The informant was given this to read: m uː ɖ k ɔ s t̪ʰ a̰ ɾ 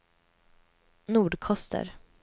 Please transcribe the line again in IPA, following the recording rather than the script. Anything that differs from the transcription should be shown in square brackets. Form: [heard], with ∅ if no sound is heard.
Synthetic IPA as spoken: [n] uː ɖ [kʰ] ɔ s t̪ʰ [ə̰] ɾ